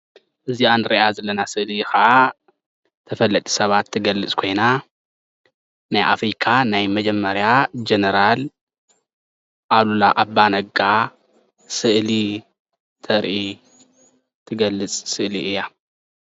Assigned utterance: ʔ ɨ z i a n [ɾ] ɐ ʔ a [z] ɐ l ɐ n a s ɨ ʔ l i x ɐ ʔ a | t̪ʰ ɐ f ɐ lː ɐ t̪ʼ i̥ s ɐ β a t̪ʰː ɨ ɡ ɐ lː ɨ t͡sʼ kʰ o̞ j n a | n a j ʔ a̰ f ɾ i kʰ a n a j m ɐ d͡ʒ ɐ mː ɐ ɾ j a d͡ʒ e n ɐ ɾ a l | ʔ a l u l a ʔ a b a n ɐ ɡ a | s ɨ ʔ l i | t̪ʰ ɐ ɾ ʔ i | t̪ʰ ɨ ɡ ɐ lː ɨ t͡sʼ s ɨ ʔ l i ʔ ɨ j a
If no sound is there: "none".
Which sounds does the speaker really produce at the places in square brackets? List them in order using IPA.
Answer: ɾ, z

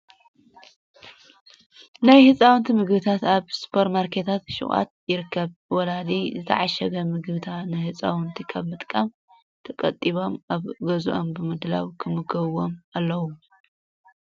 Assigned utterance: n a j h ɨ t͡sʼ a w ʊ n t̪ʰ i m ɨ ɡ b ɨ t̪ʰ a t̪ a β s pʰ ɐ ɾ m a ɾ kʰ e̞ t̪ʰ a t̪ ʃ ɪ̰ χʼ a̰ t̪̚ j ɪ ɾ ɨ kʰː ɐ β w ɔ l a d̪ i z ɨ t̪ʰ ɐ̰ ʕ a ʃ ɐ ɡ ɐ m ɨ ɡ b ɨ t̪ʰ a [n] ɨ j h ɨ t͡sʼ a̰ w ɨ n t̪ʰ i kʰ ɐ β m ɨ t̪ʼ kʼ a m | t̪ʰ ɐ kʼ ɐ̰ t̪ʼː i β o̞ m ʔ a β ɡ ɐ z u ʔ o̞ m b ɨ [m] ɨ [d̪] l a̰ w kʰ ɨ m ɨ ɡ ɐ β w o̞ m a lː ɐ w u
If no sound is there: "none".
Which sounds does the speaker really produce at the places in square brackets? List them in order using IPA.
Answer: n, m, d̪

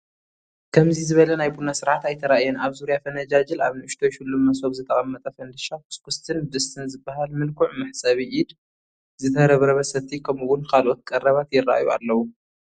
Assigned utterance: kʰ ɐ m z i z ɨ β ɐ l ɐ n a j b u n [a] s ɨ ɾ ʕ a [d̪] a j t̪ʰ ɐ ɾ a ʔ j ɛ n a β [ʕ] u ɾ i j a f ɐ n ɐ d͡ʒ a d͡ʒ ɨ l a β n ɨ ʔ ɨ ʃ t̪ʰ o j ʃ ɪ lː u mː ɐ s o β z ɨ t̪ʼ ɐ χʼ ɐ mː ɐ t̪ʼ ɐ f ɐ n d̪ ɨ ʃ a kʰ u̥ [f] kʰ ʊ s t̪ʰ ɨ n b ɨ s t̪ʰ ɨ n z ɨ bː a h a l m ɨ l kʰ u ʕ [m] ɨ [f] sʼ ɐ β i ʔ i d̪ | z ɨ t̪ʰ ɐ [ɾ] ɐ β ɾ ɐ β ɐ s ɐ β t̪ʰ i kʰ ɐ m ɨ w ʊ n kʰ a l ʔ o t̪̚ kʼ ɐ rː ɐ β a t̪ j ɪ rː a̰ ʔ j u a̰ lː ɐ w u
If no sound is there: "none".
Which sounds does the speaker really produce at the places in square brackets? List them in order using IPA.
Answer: a, t̪, z, s, m, ħ, ɾ

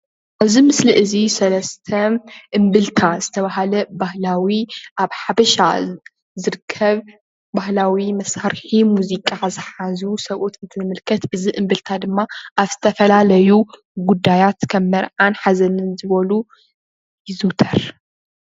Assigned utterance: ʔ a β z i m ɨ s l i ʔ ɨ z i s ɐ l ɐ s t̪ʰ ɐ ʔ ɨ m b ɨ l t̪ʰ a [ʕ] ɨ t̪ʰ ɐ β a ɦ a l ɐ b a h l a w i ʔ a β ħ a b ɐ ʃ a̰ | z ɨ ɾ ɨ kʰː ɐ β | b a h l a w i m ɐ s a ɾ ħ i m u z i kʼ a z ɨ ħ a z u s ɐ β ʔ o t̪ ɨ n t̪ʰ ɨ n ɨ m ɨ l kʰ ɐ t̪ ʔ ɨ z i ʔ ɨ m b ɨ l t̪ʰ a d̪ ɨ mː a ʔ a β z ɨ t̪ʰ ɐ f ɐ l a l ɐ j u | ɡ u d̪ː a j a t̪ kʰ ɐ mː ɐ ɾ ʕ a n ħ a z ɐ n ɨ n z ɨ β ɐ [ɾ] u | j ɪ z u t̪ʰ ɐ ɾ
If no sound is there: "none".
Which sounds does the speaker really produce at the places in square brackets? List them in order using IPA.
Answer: z, l

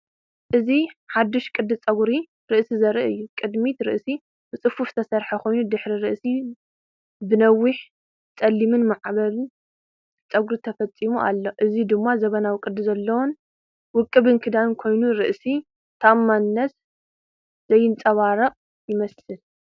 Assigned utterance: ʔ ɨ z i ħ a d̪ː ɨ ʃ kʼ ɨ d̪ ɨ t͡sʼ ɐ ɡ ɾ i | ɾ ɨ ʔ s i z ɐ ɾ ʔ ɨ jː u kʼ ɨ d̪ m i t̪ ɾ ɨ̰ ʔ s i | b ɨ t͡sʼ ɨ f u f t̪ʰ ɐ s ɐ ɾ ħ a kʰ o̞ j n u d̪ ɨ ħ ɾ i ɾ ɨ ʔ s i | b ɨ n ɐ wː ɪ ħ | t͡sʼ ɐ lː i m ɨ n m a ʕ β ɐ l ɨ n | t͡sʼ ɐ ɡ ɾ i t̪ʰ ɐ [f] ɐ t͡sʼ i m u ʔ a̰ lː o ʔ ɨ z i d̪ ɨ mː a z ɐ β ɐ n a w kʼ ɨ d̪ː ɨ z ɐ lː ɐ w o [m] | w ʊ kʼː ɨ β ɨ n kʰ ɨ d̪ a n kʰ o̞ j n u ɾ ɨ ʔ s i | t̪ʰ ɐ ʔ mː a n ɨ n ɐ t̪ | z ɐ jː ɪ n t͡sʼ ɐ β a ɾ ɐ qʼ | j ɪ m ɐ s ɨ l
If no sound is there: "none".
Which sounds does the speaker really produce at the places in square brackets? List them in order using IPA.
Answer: f, n

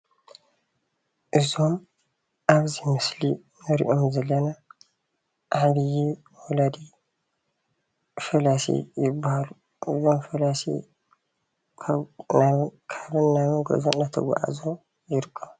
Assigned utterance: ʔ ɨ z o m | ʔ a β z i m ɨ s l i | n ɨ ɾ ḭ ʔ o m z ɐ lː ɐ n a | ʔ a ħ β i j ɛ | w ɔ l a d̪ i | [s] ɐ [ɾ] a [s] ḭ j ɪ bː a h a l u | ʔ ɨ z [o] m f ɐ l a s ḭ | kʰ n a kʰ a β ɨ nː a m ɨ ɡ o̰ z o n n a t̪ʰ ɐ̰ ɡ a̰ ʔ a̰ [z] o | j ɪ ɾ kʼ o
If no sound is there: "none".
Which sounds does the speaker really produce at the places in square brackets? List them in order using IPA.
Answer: f, l, s, o, z

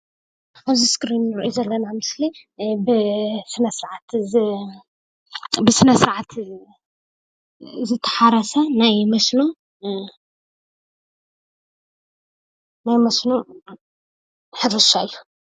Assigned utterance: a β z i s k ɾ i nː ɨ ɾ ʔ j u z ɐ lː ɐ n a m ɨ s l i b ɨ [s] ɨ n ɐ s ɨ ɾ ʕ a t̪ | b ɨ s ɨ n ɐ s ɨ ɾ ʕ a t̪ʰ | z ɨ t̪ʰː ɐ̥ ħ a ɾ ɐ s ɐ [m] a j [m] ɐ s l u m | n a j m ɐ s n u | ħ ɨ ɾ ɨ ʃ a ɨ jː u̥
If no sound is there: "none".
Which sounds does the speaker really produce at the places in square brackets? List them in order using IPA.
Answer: s, n, m

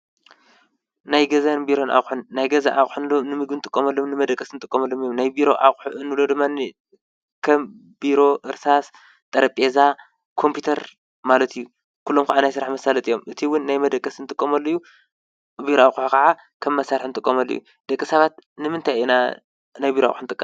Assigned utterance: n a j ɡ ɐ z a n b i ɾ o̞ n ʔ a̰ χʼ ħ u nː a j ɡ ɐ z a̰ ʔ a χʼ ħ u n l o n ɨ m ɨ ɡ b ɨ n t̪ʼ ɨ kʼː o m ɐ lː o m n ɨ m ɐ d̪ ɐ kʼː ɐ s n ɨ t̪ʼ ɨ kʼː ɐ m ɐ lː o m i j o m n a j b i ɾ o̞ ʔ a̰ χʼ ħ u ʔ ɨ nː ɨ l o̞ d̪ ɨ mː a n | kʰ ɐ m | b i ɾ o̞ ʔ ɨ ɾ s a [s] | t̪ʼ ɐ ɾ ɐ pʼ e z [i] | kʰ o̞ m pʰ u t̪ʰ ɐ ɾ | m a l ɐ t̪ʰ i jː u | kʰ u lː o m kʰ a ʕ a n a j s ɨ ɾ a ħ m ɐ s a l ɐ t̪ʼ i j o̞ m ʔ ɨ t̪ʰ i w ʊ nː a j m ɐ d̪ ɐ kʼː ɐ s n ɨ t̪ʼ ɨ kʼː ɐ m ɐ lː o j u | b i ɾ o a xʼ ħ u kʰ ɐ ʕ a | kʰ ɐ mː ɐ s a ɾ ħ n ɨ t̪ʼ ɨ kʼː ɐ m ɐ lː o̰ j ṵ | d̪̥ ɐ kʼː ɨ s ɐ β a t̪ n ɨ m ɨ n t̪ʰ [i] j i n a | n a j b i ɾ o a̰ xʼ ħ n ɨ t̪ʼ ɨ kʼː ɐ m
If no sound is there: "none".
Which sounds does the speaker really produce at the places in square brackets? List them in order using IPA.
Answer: s, a, a

